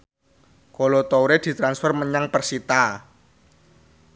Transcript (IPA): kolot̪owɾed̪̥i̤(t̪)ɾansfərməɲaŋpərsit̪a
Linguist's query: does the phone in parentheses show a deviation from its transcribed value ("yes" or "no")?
no